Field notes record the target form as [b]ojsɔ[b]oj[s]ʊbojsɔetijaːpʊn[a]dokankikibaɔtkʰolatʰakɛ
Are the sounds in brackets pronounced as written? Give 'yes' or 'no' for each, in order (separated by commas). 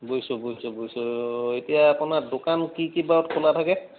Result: yes, yes, yes, yes